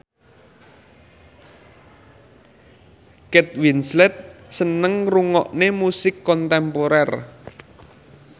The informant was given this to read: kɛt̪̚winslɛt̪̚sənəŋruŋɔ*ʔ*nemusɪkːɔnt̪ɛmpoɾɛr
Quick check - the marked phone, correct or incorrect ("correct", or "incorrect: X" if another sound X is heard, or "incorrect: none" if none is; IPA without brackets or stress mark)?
correct